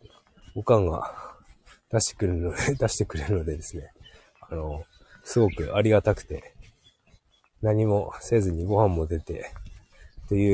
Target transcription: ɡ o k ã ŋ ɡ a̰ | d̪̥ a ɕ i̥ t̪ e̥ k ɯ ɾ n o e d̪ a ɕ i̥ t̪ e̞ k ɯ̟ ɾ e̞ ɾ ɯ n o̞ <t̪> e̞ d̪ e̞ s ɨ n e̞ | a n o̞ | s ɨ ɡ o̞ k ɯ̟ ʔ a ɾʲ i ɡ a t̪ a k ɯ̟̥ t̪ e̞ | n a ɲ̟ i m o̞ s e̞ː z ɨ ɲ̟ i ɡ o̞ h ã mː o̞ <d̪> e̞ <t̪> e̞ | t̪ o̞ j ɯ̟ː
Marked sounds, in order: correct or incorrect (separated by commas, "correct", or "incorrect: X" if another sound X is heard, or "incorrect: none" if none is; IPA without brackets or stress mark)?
incorrect: d̪, correct, correct